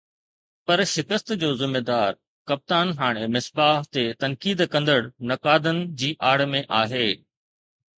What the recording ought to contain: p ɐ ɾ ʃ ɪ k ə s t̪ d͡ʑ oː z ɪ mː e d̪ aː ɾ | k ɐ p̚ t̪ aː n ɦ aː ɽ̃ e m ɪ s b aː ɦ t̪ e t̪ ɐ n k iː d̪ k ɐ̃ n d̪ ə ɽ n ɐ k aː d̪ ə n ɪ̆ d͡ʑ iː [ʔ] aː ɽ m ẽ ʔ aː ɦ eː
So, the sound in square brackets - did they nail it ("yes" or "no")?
yes